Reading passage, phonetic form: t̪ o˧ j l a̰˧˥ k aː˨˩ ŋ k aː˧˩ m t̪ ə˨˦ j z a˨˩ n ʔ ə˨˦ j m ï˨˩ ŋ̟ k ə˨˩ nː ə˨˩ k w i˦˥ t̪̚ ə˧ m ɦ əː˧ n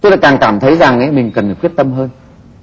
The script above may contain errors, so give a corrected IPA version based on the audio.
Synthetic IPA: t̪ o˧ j l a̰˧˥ k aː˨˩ ŋ k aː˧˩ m t̪ʰ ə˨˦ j z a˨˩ ŋ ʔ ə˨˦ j m ï˨˩ ŋ̟ k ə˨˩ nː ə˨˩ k w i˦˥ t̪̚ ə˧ m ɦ əː˧ n